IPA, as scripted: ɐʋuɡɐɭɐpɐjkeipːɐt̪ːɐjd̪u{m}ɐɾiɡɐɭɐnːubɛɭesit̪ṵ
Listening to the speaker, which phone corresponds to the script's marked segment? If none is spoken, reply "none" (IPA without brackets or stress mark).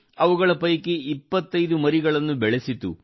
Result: m